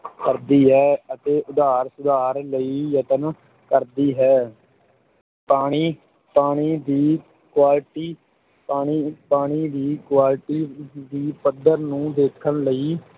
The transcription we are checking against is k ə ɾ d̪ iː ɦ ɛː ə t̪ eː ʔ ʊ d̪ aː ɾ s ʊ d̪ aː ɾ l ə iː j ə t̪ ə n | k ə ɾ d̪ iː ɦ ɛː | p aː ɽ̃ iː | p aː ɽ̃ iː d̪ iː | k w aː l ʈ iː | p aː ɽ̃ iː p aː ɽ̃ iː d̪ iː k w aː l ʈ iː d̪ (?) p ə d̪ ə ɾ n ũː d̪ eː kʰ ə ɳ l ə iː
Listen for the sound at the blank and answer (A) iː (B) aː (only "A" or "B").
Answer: A